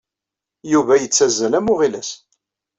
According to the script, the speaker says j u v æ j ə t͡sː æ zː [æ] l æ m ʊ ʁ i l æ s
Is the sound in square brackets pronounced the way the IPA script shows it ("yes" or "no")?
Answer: yes